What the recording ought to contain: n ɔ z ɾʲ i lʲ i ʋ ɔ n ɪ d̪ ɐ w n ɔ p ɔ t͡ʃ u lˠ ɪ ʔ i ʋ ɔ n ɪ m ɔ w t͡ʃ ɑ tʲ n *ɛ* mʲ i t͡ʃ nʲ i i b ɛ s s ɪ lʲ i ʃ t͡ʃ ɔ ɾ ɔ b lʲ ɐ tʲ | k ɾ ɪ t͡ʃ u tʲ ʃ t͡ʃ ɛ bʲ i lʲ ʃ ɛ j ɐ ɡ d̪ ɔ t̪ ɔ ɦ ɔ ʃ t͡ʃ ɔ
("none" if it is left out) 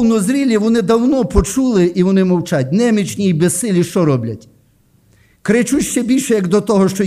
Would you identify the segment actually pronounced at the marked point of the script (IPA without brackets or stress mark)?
ɛ